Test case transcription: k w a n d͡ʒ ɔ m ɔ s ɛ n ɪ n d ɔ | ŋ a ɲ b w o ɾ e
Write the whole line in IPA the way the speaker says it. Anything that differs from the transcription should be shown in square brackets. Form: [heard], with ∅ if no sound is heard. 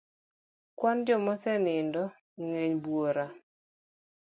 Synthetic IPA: k w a n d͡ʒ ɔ m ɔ s ɛ n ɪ n d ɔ | ŋ [e] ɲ b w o ɾ [a]